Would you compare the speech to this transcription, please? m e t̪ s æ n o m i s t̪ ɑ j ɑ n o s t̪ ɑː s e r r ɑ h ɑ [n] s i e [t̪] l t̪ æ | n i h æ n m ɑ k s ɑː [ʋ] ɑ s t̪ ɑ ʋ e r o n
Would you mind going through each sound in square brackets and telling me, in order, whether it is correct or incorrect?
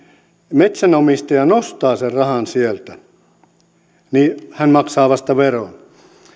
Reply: correct, incorrect: none, correct

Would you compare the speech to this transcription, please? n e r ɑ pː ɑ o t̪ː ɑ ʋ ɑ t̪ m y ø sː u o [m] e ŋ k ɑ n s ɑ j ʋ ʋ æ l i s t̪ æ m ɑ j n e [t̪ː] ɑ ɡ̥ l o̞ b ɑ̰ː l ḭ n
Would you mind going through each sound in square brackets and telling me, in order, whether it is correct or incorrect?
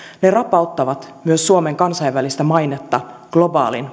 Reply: correct, correct

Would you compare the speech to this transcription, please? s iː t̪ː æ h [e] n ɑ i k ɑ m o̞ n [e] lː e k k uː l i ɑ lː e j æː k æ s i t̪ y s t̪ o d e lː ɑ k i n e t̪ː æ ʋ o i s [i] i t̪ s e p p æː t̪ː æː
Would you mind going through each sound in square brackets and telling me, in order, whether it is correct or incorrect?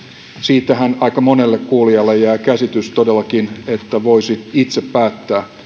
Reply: incorrect: æ, correct, correct

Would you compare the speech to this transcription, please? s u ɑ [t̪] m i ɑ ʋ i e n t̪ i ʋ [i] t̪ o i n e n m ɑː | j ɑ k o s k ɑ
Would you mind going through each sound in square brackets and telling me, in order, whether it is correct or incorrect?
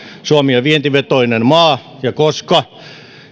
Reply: incorrect: none, incorrect: e

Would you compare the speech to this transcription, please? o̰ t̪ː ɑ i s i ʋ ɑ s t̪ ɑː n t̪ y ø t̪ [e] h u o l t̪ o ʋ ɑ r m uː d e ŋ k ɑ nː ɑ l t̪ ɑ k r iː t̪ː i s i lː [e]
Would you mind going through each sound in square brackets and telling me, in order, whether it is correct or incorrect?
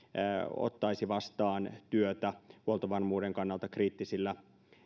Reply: incorrect: æ, incorrect: æ

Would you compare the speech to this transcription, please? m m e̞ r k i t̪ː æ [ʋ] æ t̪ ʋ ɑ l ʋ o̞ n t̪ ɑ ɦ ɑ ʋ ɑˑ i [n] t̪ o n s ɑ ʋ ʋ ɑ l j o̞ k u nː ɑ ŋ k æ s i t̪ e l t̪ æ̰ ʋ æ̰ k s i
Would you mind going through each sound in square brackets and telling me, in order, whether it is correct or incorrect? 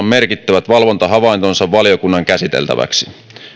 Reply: correct, correct

